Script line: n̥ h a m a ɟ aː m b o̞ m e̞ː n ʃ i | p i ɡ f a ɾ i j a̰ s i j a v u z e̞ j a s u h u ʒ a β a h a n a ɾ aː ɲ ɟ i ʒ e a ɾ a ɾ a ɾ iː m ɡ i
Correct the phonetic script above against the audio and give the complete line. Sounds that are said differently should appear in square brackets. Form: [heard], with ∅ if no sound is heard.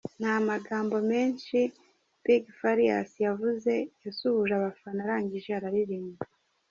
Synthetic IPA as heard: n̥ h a m a [ɡ] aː m b o̞ m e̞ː n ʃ i | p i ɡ f a ɾ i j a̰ s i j a v u z e̞ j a s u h u ʒ a β a [f] a n a ɾ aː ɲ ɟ i ʒ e a ɾ a ɾ [i] ɾ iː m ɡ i